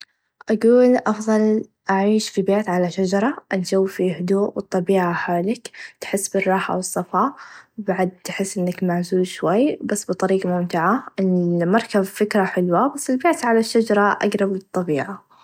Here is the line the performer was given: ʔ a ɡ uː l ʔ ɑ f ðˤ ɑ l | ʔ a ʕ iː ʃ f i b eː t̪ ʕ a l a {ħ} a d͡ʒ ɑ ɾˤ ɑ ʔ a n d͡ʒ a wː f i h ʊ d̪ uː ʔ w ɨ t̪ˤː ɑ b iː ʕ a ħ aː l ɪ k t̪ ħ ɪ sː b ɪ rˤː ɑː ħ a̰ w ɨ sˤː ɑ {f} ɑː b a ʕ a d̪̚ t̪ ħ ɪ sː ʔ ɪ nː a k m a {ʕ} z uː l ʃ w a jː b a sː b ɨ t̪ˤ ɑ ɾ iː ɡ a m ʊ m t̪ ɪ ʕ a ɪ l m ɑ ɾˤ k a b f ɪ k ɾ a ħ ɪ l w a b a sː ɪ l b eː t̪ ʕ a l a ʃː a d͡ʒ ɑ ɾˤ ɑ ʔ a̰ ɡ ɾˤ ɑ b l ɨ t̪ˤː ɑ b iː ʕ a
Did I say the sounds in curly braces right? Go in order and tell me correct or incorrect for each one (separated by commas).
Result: incorrect, correct, correct